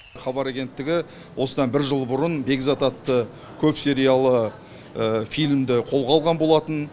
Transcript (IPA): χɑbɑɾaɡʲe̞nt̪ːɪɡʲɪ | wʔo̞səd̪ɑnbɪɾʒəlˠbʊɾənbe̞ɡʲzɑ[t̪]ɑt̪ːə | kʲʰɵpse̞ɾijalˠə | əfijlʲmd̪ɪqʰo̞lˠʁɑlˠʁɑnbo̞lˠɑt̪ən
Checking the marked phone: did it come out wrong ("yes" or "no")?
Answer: no